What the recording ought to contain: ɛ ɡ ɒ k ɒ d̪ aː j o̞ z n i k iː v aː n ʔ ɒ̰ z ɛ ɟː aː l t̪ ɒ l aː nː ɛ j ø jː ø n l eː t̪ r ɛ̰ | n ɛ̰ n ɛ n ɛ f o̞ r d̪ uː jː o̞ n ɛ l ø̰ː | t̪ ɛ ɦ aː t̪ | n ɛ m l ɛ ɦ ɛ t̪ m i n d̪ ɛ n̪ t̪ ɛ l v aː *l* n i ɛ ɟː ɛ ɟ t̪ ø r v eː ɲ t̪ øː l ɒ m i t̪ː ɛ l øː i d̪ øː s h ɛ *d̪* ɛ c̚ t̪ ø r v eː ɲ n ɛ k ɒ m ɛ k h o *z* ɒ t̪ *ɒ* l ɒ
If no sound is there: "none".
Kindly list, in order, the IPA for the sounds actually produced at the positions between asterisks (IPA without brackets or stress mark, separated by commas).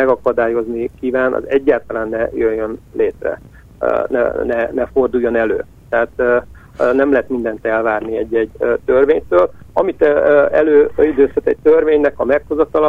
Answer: r, t̪, z, ɒ